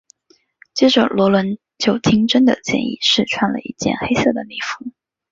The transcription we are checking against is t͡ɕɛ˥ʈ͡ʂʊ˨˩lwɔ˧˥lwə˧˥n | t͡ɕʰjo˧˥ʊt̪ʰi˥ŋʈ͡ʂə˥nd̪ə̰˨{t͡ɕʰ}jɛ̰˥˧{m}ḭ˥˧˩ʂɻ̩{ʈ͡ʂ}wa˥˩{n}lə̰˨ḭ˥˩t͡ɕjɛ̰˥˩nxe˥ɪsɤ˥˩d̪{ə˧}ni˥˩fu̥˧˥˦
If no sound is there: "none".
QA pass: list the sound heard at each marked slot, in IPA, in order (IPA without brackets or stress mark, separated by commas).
t͡ɕ, n, ʈ͡ʂʰ, n, ə˩